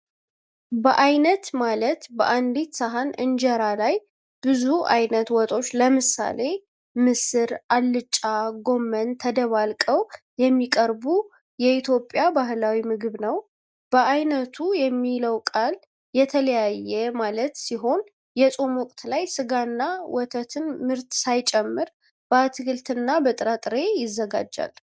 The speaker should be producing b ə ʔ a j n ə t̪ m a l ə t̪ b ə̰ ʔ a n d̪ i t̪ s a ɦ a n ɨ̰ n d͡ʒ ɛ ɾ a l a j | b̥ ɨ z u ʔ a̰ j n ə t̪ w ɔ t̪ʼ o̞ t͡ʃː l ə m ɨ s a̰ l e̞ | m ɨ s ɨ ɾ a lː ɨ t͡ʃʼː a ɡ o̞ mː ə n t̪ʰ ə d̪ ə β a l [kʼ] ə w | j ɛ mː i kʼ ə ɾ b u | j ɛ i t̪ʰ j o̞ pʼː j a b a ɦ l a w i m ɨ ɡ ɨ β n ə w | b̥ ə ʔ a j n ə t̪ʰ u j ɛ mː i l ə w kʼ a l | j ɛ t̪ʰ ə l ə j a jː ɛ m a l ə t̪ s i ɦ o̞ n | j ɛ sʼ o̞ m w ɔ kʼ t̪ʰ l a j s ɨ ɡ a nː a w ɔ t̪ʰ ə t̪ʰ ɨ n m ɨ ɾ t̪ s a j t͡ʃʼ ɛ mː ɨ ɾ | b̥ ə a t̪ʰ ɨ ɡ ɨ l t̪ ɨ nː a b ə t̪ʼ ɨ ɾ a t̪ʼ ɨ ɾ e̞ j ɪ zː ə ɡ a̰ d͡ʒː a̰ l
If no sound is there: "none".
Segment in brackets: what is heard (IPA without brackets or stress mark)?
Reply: kʼ